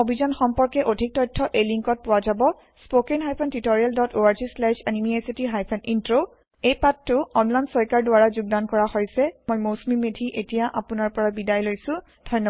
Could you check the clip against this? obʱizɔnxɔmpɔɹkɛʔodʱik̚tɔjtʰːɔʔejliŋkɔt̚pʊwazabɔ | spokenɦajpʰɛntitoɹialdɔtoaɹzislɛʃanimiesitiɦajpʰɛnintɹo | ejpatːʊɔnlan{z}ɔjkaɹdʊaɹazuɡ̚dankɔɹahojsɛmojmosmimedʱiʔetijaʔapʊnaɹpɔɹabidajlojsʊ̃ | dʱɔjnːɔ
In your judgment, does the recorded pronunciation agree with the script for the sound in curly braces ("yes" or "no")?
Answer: no